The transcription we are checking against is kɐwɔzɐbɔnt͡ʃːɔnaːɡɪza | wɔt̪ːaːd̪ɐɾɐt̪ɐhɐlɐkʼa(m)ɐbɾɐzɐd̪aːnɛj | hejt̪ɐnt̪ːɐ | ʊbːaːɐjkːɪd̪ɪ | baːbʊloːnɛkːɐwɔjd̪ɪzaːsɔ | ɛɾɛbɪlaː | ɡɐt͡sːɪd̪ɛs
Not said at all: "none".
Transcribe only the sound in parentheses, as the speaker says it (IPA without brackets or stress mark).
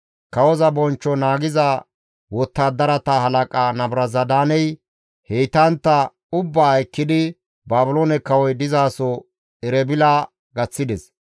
n